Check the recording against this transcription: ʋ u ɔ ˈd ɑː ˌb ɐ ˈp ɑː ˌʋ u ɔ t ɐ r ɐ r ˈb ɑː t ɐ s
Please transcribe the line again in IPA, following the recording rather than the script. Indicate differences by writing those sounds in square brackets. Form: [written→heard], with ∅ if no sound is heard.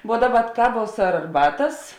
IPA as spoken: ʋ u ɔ ˈd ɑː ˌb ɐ [ˈp→ˈk] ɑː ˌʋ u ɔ [t→s] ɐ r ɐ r ˈb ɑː t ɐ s